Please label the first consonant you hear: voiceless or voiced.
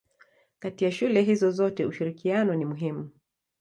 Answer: voiceless